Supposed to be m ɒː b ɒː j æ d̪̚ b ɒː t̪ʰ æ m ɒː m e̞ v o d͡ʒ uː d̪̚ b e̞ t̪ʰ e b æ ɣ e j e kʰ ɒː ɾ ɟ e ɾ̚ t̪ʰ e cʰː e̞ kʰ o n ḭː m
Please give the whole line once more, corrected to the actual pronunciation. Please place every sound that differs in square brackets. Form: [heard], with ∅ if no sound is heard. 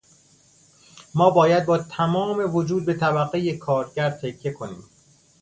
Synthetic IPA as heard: m ɒː b ɒː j æ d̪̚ b ɒː t̪ʰ æ m ɒː m e̞ v o d͡ʒ uː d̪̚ b e̞ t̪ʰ [æ] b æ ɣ e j e kʰ ɒː ɾ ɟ [æ] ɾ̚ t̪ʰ e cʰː e̞ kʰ o n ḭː m